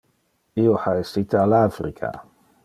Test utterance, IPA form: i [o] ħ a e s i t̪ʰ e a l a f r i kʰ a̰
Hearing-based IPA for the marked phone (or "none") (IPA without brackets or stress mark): o